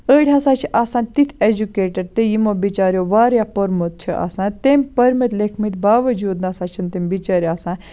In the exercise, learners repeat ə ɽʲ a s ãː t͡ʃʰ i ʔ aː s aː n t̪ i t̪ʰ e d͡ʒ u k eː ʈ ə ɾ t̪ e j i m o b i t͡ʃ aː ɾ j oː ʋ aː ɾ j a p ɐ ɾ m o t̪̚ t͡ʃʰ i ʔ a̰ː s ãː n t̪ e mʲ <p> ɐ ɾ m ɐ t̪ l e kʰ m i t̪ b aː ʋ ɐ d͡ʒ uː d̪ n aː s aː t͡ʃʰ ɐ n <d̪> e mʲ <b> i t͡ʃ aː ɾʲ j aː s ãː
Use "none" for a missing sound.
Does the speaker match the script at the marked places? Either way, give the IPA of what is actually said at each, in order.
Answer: p, t̪, b

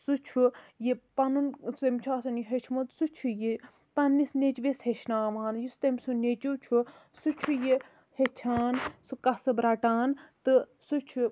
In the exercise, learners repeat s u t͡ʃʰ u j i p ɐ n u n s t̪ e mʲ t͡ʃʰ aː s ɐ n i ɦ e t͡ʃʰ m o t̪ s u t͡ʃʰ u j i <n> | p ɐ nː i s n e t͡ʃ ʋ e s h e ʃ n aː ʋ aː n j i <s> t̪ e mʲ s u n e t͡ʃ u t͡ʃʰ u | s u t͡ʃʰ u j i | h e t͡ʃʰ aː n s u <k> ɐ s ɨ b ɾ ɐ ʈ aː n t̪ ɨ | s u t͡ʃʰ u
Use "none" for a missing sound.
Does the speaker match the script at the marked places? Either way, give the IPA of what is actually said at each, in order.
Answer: none, s, k

